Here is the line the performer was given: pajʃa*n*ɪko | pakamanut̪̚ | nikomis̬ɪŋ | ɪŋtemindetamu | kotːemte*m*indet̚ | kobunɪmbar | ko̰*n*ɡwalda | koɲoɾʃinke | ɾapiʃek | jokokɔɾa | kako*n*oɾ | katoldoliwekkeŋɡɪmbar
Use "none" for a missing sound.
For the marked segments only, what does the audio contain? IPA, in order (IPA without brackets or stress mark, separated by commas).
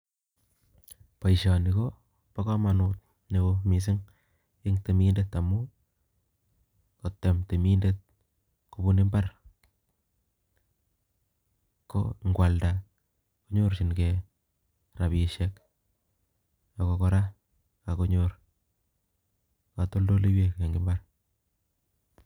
n, m, ŋ, ɲ